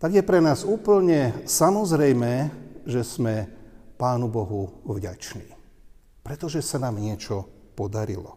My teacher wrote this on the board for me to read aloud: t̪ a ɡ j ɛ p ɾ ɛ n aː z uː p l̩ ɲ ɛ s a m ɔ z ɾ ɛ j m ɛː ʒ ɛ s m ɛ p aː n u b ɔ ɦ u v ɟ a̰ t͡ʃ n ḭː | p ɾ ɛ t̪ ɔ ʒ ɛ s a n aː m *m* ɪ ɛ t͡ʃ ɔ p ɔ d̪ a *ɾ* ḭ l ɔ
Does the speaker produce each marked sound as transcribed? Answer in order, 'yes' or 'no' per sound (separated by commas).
no, yes